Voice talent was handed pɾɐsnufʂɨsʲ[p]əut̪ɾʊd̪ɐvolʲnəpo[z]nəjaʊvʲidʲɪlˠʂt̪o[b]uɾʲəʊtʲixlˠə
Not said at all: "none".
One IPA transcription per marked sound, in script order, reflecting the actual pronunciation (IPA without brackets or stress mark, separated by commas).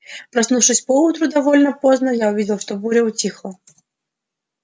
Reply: p, z, b